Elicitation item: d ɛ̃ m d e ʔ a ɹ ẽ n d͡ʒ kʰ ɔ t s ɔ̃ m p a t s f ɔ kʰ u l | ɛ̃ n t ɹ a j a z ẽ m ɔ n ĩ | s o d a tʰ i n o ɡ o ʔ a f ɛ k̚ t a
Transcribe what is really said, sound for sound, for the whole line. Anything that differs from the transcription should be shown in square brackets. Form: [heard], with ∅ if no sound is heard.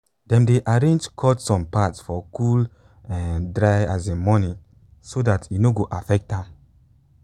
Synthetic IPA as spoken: d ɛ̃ m d e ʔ a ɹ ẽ n d͡ʒ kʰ ɔ t s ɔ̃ m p a t s f ɔ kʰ u l | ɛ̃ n [d] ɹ a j a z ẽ m ɔ n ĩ | s o d a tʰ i n o ɡ o ʔ a f ɛ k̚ t a

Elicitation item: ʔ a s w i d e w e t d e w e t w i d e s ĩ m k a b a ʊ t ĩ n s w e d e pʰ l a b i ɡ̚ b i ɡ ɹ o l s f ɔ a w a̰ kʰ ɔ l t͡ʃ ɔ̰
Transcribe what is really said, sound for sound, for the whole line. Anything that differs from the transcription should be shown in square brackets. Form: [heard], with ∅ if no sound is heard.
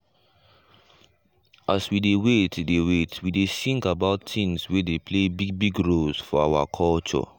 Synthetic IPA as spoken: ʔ a s w i d e w e t d e w e t w i d e s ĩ [ŋ] k a b a ʊ t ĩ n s w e d e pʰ l [e] b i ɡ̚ b i ɡ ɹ o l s f ɔ a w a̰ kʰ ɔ l t͡ʃ ɔ̰

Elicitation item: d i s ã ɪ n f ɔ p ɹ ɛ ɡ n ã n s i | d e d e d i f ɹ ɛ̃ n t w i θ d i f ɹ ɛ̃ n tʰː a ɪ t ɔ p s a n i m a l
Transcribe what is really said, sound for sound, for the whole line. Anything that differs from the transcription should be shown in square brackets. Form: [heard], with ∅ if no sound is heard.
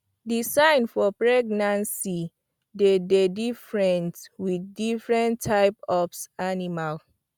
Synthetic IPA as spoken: d i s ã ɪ n f ɔ p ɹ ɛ ɡ n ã n s i | d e d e d i f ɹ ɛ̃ n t w i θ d i f ɹ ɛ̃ n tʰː a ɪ [p] ɔ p s a n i m a l

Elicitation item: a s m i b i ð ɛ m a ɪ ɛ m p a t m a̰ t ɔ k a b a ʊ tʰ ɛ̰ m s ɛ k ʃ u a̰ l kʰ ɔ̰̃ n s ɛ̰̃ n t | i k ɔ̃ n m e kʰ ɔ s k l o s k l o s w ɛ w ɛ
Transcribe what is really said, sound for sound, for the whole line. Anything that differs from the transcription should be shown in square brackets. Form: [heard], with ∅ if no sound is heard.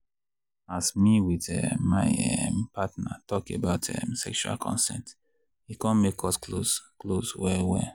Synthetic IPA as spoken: a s m i [w] i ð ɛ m a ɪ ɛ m p a t [n] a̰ t ɔ k [e] b a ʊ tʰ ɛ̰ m s ɛ k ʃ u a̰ l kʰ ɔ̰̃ n s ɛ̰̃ n t | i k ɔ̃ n m e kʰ ɔ s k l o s k l o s w ɛ w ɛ

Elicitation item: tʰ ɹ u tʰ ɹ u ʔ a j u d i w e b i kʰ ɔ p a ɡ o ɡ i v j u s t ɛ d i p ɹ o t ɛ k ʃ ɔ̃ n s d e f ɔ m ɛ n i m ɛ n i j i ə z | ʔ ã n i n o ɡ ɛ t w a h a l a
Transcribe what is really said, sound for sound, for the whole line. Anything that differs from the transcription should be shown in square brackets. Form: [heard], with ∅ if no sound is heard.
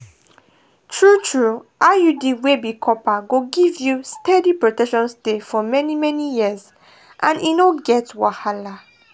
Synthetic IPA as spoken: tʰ ɹ u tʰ ɹ u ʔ a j u d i w e b i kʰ ɔ p a ɡ o ɡ i v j u s t ɛ d i p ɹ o t ɛ k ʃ ɔ̃ n s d e f ɔ m ɛ n i m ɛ n i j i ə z | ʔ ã n i n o ɡ ɛ t w a h a l a

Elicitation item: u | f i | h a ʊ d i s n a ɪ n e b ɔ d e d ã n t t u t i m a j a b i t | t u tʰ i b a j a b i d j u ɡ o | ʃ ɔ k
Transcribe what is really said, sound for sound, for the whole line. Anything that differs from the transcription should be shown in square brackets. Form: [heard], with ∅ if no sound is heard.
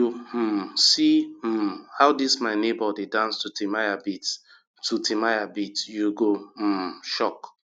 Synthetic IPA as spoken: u | [s] i | h a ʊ d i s [m] a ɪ n e b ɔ d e d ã n [s] t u t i m a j a b i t | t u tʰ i [m] a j a b i [t] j u ɡ o | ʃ ɔ k

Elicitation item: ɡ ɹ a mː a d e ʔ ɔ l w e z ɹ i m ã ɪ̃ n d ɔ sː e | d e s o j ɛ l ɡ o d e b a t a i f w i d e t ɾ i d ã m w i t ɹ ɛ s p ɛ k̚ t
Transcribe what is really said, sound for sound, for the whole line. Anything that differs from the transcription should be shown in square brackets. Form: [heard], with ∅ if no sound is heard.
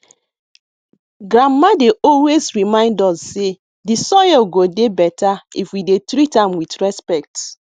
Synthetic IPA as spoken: ɡ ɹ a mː a d e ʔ ɔ l w e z ɹ i m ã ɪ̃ n d ɔ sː e | d [i] s [ɔ] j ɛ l ɡ o d e b [ɛ] t a i f w i d e t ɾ i [t] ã m w i t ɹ ɛ s p ɛ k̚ t

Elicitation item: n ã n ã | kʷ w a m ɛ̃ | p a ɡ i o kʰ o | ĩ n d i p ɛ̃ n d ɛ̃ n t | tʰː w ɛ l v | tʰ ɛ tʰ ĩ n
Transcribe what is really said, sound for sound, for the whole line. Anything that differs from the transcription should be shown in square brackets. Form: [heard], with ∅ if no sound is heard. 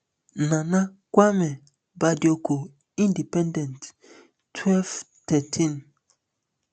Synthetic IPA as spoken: n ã n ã | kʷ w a m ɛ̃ | [b] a [d] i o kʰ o | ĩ n d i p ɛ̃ n d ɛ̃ n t | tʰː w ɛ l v | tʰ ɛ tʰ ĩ n

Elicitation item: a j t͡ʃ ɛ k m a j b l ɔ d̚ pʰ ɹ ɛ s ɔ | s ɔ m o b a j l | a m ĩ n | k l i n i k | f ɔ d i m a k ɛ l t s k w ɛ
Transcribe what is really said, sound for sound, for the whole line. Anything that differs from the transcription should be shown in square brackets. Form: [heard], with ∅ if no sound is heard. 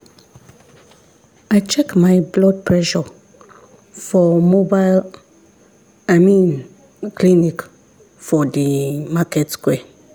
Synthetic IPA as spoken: a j t͡ʃ ɛ k m a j b l ɔ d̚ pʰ ɹ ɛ [ʃ] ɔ | [f] ɔ m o b a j l | a m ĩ n | k l i n i k | f ɔ d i m a k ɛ [∅] t s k w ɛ

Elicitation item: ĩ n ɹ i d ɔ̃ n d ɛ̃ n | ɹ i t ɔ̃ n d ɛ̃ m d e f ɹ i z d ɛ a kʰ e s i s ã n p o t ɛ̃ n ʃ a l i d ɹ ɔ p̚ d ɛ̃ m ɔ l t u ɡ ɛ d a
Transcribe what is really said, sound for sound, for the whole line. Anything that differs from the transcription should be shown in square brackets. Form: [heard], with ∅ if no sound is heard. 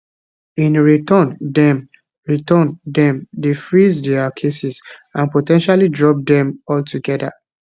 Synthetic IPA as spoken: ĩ n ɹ i [t] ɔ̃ n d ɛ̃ [m] | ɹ i t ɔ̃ n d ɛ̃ m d e f ɹ i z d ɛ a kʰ e s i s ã n p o t ɛ̃ n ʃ a l i d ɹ ɔ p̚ d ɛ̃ m ɔ l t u ɡ ɛ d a

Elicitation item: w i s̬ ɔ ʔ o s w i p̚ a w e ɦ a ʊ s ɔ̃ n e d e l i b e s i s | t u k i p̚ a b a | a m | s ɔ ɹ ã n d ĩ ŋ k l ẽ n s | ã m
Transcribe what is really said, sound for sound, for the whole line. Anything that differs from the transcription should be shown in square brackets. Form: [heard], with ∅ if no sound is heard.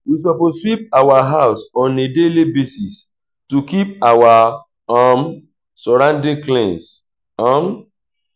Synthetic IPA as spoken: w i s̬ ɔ [p] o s w i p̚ a w [a] ɦ a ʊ s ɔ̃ n e d e l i b e s i s | t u k i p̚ a [w] a | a m | s ɔ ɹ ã n d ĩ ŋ k l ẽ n s | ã m

